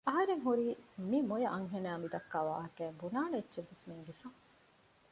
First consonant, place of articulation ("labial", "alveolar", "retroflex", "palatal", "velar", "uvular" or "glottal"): glottal